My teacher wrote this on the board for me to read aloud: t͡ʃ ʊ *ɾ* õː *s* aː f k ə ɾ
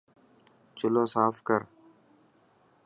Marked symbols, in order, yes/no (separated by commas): no, yes